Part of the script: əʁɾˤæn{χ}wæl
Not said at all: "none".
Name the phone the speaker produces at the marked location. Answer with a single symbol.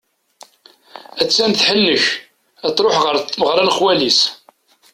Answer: χ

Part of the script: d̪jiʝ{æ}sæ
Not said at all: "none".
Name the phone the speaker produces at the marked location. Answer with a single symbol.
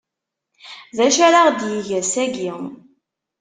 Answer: æ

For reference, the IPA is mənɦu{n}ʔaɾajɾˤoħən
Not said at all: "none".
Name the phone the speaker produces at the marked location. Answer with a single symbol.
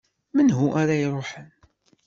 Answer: none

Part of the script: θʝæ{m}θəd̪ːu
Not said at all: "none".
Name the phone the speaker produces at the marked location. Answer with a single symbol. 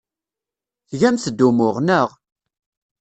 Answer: m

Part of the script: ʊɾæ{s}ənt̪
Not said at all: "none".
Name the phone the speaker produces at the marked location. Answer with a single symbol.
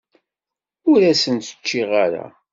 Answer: s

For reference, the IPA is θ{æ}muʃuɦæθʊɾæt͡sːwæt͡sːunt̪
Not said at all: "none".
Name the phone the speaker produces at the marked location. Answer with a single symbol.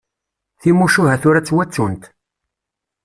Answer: i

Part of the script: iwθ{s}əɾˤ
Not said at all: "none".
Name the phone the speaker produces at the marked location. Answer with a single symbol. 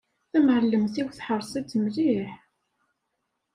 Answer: ħ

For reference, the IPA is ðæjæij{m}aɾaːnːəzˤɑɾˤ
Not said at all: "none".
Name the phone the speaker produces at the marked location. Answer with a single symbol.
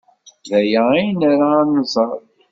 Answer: n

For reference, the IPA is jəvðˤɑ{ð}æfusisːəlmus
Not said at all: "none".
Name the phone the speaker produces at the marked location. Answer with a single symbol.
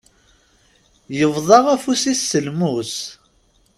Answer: ʁ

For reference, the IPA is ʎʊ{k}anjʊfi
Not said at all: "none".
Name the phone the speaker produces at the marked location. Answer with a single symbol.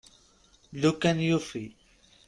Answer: k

